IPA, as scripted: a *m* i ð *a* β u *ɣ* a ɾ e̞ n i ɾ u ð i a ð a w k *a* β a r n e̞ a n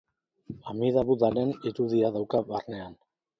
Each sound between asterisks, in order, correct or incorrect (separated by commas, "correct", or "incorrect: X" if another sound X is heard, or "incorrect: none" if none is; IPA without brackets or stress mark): correct, correct, incorrect: ð, correct